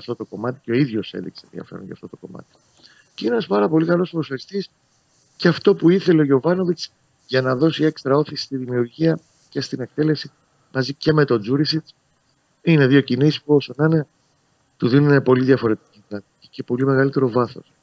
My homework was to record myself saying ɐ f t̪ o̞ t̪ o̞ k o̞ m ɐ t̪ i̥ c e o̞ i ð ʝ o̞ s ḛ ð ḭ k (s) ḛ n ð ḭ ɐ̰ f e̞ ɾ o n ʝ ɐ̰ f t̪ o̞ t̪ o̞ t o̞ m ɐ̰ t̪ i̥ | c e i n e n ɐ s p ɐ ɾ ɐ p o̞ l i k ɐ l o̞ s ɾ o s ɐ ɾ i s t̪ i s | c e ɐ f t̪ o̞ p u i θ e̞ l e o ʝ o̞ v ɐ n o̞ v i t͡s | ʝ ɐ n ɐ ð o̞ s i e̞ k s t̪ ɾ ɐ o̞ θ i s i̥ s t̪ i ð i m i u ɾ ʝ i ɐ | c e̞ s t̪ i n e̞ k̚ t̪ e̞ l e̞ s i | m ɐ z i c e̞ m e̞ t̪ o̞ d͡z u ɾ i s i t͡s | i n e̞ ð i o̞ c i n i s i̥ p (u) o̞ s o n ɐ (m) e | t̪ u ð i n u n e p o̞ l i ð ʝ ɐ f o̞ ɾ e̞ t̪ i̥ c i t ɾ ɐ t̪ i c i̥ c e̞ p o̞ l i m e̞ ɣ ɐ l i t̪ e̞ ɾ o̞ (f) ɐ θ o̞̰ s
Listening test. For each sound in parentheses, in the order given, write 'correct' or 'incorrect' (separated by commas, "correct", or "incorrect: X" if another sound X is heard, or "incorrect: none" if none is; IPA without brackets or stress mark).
correct, correct, incorrect: n, incorrect: v